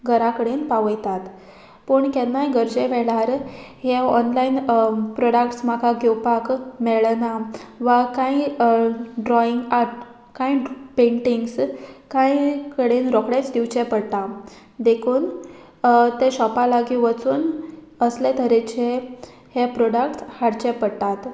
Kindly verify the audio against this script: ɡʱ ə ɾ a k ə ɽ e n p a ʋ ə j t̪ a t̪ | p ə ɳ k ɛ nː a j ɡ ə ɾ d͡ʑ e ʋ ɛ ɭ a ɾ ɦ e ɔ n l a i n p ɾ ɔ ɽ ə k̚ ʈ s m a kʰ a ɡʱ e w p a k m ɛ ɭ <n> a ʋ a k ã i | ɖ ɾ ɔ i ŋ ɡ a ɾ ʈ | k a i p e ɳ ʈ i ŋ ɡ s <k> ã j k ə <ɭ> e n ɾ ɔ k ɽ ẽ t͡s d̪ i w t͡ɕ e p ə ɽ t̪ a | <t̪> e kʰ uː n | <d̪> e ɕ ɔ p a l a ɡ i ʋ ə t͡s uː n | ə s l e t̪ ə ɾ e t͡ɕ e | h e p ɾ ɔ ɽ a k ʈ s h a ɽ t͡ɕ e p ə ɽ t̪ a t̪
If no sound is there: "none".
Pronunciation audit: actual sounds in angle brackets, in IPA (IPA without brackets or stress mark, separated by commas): n, k, ɽ, d̪, t̪